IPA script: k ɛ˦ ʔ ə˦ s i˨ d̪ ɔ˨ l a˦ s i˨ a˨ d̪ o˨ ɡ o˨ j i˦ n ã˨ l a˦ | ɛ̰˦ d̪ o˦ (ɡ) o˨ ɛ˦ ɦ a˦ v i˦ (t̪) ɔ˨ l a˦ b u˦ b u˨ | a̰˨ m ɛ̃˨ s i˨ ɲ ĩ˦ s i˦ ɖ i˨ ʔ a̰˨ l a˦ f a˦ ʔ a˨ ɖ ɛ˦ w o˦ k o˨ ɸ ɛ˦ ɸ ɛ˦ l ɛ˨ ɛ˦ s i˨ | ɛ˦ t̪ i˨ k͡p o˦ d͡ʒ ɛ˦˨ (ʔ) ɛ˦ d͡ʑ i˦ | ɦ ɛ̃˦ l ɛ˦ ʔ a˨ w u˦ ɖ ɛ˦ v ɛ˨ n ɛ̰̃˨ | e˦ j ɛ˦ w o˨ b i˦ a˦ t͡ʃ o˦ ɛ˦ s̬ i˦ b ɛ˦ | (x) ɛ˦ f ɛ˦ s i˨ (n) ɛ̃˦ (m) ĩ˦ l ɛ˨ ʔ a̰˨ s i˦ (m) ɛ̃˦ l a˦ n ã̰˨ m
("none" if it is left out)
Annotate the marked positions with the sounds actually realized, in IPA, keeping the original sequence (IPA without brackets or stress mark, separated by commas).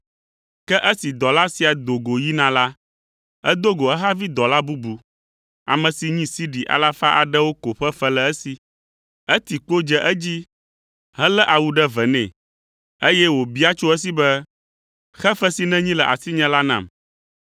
ɡ, d̪, ʔ, x, n, ɲ, ɲ